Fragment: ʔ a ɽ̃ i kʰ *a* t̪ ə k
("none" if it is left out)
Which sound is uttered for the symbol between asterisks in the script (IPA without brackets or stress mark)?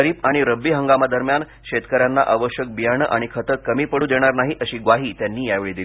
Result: ə